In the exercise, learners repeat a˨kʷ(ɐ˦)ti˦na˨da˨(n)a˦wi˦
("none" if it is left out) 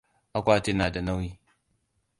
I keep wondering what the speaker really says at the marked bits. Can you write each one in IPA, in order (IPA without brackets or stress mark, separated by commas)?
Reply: a˦, n